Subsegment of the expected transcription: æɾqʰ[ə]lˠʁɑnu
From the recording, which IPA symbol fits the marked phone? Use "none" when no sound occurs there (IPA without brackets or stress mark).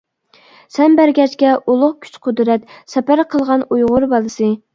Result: ə